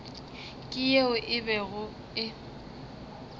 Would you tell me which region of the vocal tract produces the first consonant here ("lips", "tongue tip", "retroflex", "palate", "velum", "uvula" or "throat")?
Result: velum